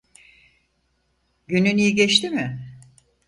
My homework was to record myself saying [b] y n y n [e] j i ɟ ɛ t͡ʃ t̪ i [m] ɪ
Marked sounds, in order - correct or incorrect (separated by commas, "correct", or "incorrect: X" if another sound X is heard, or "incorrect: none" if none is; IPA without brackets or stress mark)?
incorrect: ɟ, incorrect: i, correct